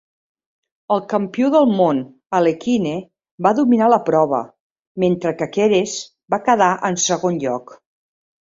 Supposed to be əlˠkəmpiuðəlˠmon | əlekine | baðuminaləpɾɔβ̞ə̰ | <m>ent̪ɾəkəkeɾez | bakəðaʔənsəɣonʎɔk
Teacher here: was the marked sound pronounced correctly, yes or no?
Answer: yes